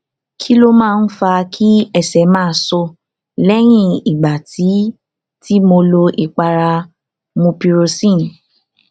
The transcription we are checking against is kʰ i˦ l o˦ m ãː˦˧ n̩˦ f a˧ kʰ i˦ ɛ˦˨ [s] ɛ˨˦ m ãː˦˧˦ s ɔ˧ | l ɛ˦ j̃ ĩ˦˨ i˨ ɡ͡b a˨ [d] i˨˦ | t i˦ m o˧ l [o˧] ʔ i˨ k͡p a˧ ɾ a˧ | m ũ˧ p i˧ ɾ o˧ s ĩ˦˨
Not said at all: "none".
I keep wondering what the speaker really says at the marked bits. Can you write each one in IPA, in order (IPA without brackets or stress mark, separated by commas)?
s, t, o˧